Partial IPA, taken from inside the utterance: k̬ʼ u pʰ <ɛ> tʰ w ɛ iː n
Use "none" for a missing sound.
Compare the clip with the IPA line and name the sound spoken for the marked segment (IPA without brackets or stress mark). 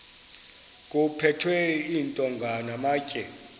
ɛ